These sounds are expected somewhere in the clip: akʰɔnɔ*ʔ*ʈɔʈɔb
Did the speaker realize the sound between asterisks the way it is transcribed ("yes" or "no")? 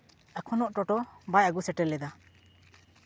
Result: yes